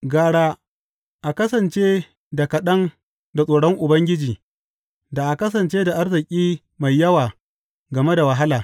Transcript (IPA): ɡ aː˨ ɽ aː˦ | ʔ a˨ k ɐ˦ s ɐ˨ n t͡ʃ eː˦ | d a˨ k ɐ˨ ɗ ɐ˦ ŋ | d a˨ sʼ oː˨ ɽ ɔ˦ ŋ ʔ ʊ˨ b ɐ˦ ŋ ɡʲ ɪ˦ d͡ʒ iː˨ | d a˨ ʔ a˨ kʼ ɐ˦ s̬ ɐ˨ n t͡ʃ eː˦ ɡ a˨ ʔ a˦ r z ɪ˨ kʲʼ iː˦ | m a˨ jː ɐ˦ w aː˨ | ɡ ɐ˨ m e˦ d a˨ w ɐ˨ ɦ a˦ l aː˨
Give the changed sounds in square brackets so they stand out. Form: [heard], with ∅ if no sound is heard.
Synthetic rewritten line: ɡ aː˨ ɽ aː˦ | ʔ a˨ k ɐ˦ s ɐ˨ n t͡ʃ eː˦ | d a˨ k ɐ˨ ɗ ɐ˦ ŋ | d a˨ sʼ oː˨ ɽ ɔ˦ ŋ ʔ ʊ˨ b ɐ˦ ŋ ɡʲ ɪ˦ d͡ʒ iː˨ | d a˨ ʔ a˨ [k] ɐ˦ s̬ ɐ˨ n t͡ʃ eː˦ [d] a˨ ʔ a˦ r z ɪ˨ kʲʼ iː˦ | m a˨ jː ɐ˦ w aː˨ | ɡ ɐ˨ m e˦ d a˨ w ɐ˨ ɦ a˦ l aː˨

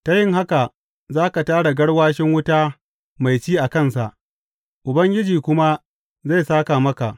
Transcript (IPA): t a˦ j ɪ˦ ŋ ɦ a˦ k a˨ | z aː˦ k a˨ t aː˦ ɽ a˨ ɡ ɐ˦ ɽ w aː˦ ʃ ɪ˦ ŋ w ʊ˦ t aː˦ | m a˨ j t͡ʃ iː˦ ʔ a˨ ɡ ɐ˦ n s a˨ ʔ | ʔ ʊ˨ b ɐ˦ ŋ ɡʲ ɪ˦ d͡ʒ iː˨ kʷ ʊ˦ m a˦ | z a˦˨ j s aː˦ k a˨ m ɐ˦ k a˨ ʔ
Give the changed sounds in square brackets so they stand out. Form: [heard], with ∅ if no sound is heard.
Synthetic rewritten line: t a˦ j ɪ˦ ŋ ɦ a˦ k a˨ | z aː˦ k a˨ t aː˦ ɽ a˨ ɡ ɐ˦ ɽ w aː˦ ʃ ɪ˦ ŋ w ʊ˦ t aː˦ | m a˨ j t͡ʃ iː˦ ʔ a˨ [k] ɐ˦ n s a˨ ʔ | ʔ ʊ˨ b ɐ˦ ŋ ɡʲ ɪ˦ d͡ʒ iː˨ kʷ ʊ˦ m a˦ | z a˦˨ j s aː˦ k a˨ m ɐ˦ k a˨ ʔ

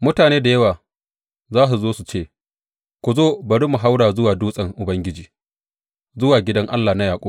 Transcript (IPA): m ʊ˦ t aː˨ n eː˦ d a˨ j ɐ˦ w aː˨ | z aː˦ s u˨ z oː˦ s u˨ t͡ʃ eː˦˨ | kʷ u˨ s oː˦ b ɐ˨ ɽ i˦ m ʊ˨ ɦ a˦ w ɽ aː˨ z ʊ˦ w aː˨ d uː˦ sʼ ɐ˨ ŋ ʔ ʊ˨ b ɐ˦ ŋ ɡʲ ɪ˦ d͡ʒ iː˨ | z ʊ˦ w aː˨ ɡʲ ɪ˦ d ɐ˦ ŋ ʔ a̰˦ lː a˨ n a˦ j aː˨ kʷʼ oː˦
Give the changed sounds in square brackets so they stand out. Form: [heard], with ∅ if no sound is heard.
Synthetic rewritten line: m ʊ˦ t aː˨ n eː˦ d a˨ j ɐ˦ w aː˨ | z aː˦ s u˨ z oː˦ s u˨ t͡ʃ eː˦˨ | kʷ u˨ [z] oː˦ b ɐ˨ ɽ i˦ m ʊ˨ ɦ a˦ w ɽ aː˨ z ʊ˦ w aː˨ d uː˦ sʼ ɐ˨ ŋ ʔ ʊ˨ b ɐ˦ ŋ ɡʲ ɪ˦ d͡ʒ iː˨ | z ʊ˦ w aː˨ ɡʲ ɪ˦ d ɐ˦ ŋ ʔ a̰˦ lː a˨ n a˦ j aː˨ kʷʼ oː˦

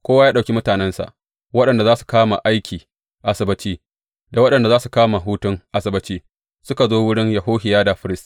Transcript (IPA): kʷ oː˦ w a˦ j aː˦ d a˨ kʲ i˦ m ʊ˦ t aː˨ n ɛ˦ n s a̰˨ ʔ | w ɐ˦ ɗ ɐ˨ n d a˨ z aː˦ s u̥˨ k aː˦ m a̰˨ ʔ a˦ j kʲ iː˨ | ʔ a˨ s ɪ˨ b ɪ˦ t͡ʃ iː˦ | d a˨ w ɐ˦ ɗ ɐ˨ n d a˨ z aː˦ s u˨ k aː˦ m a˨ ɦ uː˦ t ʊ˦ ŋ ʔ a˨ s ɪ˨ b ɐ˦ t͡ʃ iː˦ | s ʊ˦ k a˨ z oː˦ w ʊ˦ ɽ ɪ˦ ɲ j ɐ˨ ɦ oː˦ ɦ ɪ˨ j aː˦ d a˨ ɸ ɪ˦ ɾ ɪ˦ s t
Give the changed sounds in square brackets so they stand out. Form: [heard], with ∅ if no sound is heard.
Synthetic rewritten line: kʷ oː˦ w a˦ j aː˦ [ɗ] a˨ kʲ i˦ m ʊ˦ t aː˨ n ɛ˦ n s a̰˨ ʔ | w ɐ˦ ɗ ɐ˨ n d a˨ z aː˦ s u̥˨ k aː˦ m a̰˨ ʔ a˦ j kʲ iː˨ | ʔ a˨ s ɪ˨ b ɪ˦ t͡ʃ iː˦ | d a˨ w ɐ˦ ɗ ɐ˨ n d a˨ z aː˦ s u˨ k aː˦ m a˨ ɦ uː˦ t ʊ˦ ŋ ʔ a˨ s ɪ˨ b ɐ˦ t͡ʃ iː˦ | s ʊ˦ k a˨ z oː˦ w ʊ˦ ɽ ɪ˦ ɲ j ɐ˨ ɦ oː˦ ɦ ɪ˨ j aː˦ d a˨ ɸ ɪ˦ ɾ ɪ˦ s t

